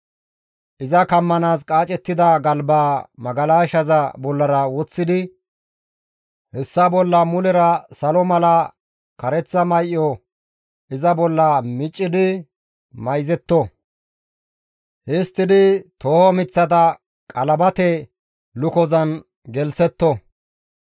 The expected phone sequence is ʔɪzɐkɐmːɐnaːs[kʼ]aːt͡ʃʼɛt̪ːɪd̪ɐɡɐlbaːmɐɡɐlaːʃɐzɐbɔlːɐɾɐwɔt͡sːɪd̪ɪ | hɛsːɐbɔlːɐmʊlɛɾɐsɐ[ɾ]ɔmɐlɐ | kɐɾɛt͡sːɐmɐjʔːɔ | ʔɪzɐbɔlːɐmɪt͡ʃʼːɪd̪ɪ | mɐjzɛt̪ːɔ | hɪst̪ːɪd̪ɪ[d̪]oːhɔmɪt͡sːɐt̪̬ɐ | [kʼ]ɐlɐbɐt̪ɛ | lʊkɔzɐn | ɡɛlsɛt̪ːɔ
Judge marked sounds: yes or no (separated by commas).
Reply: yes, no, no, yes